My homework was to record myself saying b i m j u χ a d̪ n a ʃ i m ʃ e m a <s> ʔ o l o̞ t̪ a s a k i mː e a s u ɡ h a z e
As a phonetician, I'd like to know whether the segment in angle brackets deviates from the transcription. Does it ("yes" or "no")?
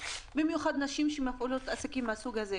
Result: yes